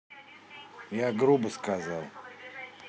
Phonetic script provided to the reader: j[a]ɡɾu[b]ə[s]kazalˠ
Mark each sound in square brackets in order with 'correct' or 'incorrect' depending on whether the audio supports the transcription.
correct, correct, correct

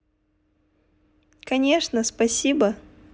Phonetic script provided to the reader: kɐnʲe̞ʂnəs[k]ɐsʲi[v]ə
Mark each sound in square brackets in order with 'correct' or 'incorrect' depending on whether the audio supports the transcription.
incorrect: p, incorrect: b

